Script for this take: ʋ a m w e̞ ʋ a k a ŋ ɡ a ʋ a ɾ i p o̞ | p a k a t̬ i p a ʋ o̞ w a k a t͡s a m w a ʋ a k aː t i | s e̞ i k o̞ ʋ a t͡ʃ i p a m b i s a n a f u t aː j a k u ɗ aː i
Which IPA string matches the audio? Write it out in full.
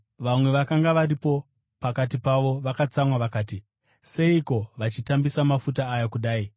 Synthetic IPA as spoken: ʋ a m w e̞ ʋ a k a ŋ ɡ a ʋ a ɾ i p o̞ | p a k a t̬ i p a ʋ o̞ ʋ a k a t͡s a m w a ʋ a k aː t i | s e̞ i k o̞ ʋ a t͡ʃ i t a m b i s a m a f u t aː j a k u ɗ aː i